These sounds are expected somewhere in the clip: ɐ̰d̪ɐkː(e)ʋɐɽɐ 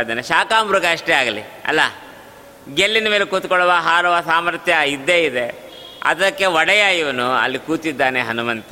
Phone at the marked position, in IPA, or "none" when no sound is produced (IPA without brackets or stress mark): e